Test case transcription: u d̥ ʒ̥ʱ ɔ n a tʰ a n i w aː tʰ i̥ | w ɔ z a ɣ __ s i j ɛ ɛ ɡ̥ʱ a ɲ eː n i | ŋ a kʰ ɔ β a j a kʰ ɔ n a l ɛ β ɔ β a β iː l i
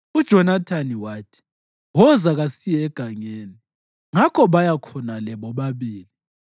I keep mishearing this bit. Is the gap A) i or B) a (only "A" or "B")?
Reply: B